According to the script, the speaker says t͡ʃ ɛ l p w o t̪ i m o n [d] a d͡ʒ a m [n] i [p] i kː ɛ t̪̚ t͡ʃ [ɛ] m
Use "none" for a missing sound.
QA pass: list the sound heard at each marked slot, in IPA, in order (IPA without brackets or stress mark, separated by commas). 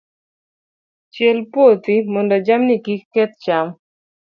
d, n, k, a